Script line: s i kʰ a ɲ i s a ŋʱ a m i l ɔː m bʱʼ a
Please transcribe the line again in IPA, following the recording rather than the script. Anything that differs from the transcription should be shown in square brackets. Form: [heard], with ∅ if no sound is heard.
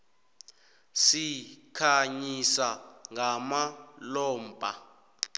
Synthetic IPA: s i kʰ a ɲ i s a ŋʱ a m [a] l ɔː m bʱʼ a